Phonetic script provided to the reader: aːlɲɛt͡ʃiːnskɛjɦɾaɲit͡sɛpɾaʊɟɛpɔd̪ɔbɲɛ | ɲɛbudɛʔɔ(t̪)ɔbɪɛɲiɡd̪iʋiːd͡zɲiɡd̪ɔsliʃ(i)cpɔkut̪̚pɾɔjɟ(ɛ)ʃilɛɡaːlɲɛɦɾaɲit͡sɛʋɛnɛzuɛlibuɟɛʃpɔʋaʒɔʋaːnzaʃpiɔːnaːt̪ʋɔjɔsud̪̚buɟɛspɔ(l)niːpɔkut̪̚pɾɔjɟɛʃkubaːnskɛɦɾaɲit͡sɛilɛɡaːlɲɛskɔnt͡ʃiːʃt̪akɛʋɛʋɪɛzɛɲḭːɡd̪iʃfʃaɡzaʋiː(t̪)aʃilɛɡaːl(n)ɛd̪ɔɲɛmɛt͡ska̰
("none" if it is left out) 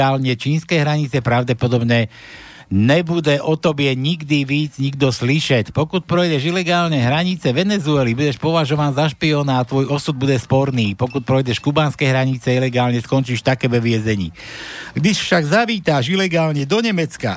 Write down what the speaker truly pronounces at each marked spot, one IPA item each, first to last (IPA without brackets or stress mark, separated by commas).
t̪, ɛ, ɛ, ɾ, t̪, ɲ